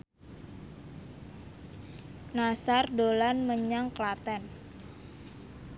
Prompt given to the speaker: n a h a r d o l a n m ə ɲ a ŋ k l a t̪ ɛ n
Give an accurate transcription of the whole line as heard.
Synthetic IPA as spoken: n a s a r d o l a n m ə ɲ a ŋ k l a t̪ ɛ n